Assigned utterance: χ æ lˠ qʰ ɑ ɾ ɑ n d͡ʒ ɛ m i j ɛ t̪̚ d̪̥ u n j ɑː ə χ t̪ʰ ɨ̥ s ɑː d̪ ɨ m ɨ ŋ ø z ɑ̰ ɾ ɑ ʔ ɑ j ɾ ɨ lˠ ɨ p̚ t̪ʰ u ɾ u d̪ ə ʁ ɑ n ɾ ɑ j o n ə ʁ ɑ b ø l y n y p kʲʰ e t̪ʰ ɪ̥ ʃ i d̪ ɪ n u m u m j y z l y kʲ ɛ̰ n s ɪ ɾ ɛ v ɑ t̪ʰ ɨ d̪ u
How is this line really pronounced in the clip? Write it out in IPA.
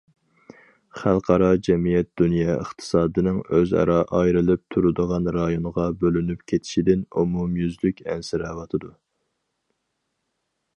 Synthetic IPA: χ æ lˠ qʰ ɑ ɾ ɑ d͡ʒ ɛ m i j ɛ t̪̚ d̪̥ u n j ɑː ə χ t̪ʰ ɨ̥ s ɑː d̪ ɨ n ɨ ŋ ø z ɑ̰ ɾ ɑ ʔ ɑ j ɾ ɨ lˠ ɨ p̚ t̪ʰ u ɾ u d̪ ə ʁ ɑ n ɾ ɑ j o n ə ʁ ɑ b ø l y n y p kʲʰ e t̪ʰ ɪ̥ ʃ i d̪ ɪ n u m u m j y z l y kʲ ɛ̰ n s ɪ ɾ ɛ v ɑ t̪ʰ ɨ d̪ u